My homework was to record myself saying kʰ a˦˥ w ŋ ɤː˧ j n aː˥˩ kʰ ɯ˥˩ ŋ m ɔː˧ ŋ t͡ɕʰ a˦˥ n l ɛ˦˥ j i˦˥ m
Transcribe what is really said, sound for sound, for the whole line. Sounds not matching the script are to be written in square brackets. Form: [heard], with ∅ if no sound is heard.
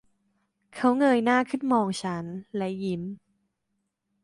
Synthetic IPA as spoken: kʰ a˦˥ w ŋ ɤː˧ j n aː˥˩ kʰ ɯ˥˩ [n] m ɔː˧ ŋ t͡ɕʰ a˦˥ n l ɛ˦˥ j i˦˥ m